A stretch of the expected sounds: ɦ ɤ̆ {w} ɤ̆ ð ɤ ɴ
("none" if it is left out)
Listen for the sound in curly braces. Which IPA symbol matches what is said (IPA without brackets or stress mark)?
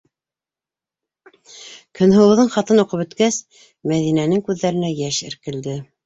w